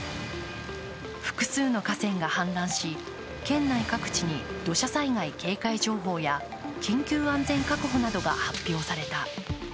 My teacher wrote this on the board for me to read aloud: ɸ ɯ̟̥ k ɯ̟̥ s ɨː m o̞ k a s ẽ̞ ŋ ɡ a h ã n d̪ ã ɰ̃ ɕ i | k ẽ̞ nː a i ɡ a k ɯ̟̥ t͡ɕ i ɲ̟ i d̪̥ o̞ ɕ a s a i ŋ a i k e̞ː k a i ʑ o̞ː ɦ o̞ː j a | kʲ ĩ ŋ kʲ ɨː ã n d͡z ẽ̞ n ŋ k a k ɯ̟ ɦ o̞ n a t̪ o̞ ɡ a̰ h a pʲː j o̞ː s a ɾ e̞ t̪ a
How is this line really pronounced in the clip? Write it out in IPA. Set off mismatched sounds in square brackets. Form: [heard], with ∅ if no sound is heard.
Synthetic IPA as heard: ɸ ɯ̟̥ k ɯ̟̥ s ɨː [n] o̞ k a s ẽ̞ ŋ ɡ a h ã n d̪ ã ɰ̃ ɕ i | k ẽ̞ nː a i [k] a k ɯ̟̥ t͡ɕ i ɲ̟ i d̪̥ o̞ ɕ a s a i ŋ a i k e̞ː k a i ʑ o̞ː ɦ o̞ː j a | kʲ ĩ ŋ kʲ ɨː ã n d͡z ẽ̞ [∅] ŋ k a k ɯ̟ ɦ o̞ n a [d̪] o̞ ɡ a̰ h a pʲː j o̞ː s a ɾ e̞ t̪ a

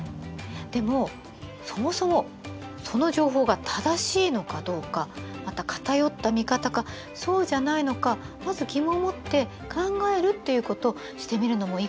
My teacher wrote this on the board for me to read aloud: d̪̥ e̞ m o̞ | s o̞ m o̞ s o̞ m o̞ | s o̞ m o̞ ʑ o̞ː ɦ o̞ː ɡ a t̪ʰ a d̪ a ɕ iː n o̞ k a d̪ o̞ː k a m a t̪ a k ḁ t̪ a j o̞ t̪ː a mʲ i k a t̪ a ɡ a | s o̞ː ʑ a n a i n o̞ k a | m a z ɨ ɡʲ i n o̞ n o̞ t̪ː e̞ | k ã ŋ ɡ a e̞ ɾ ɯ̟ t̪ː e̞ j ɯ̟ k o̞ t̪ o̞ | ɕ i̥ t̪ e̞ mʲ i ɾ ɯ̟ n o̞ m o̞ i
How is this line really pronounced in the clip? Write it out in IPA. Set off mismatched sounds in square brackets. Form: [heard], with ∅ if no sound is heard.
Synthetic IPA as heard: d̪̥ e̞ m o̞ | s o̞ m o̞ s o̞ m o̞ | s o̞ [n] o̞ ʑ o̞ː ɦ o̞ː ɡ a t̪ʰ a d̪ a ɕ iː n o̞ k a d̪ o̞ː k a m a t̪ a k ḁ t̪ a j o̞ t̪ː a mʲ i k a t̪ a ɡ a | s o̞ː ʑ a n a i n o̞ k a | m a z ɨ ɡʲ i [m] o̞ [m] o̞ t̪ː e̞ | k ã ŋ ɡ a e̞ ɾ ɯ̟ t̪ː e̞ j ɯ̟ k o̞ t̪ o̞ | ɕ i̥ t̪ e̞ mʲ i ɾ ɯ̟ n o̞ m o̞ i

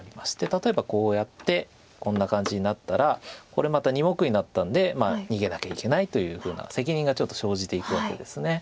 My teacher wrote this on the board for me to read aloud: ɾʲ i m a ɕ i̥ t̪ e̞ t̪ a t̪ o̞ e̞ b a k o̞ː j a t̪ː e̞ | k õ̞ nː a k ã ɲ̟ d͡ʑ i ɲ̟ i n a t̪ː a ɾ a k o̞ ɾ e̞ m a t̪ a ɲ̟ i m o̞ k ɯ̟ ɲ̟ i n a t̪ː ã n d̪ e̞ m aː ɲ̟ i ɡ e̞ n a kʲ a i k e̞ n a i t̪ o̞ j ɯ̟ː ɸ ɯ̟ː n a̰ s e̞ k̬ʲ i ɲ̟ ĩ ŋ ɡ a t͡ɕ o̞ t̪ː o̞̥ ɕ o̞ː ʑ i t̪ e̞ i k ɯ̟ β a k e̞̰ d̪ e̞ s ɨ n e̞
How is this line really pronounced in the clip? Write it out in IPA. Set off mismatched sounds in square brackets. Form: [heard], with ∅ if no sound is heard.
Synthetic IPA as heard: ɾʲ i m a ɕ i̥ t̪ e̞ t̪ a t̪ o̞ e̞ b a k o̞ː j a t̪ː e̞ | k õ̞ nː a k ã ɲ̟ d͡ʑ i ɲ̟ i n a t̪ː a ɾ a k o̞ ɾ e̞ m a t̪ a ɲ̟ i m o̞ k ɯ̟ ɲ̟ i n a t̪ː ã n d̪ e̞ m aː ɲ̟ i ɡ e̞ n a kʲ a i k e̞ n a i t̪ o̞ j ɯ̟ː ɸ ɯ̟ː n a̰ s e̞ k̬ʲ i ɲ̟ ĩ ŋ ɡ a t͡ɕ o̞ t̪ː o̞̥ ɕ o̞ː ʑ i t̪ e̞ i k ɯ̟ β a k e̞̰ d̪ e̞ s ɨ n e̞

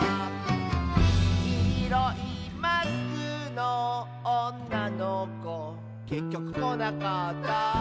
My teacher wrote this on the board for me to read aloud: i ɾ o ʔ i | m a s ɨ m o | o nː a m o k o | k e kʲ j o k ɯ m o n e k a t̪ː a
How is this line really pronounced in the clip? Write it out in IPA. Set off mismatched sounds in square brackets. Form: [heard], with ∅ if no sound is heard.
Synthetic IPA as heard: i ɾ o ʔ i | m a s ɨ [n] o | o nː a [n] o k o | k e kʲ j o k ɯ m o n [a] k a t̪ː a

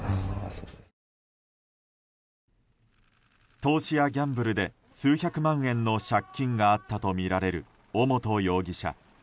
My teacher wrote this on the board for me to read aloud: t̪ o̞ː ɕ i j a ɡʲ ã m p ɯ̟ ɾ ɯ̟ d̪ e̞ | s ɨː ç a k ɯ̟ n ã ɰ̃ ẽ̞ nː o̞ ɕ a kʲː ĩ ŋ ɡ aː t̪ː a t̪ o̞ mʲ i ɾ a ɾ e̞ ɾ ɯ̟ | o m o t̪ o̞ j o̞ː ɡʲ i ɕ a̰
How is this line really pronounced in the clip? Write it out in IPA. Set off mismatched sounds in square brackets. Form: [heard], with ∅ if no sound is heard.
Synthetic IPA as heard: t̪ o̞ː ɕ i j a ɡʲ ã m [b] ɯ̟ ɾ ɯ̟ d̪ e̞ | s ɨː ç a k ɯ̟ [m] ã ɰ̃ ẽ̞ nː o̞ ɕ a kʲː ĩ ŋ ɡ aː t̪ː a t̪ o̞ mʲ i ɾ a ɾ e̞ ɾ ɯ̟ | o m o t̪ o̞ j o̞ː ɡʲ i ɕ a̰

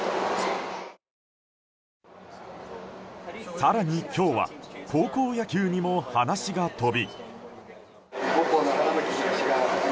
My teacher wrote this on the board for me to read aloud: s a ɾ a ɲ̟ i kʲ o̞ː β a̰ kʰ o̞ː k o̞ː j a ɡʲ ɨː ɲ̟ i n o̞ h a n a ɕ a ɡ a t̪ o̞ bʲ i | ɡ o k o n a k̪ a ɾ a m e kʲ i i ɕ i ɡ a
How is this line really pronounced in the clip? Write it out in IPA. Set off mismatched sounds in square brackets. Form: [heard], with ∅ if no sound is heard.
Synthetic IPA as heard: s a ɾ a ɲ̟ i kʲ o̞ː β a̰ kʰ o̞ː k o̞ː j a [kʲ] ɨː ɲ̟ i [m] o̞ h a n a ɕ [i] ɡ a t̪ o̞ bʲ i | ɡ o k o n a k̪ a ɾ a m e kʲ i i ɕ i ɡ a

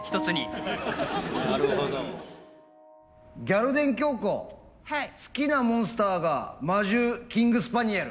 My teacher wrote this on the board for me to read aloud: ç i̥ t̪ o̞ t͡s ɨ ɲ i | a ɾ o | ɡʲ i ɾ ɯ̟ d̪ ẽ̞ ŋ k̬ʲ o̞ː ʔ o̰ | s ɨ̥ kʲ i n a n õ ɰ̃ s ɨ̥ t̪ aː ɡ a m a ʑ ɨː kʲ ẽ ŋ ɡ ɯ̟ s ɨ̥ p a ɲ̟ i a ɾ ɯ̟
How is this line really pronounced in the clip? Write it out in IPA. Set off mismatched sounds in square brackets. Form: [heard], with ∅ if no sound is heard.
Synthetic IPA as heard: ç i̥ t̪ o̞ t͡s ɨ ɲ i | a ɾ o | ɡʲ [a] ɾ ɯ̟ d̪ ẽ̞ ŋ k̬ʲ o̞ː [k] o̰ | s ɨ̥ kʲ i n a [m] õ ɰ̃ s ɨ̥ t̪ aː ɡ a m a ʑ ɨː kʲ [ĩ] ŋ ɡ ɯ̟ s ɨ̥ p a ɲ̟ i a ɾ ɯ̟

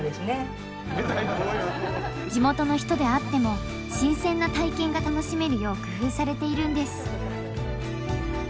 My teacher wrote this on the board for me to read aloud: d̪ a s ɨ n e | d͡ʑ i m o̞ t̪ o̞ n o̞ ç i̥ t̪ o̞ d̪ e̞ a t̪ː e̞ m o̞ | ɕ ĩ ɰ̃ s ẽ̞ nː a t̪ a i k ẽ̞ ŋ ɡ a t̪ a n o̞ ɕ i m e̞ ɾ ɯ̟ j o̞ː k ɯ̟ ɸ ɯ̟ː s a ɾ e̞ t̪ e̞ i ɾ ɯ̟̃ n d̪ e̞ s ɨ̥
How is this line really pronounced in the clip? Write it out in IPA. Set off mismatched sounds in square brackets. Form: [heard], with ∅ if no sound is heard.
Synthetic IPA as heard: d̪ [e] s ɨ n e | d͡ʑ i m o̞ t̪ o̞ n o̞ ç i̥ t̪ o̞ d̪ e̞ a t̪ː e̞ m o̞ | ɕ ĩ ɰ̃ s ẽ̞ nː a t̪ a i k ẽ̞ ŋ ɡ a t̪ a n o̞ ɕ i m e̞ ɾ ɯ̟ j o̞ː k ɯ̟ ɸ ɯ̟ː s a ɾ e̞ t̪ e̞ i ɾ ɯ̟̃ n d̪ e̞ s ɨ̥

